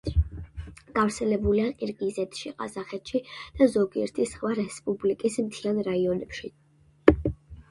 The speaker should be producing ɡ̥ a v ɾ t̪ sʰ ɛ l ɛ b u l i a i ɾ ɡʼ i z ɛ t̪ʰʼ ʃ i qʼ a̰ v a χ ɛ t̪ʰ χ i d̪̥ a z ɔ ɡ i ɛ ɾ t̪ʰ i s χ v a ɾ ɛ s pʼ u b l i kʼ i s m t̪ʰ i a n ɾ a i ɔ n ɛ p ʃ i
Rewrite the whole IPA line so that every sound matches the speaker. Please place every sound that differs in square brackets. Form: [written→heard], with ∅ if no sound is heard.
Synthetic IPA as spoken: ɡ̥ a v ɾ t̪ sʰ ɛ l ɛ b u l i a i ɾ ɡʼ i z ɛ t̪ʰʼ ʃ i qʼ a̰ [v→z] a χ ɛ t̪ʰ [χ→ʃ] i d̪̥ a z ɔ ɡ i ɛ ɾ t̪ʰ i s χ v a ɾ ɛ s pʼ u b l i kʼ i s m t̪ʰ i a n ɾ a i ɔ n ɛ p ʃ i